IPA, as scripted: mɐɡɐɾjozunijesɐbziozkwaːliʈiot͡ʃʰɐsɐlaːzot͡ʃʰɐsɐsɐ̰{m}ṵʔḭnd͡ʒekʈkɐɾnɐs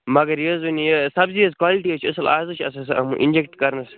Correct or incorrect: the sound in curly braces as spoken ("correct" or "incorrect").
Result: correct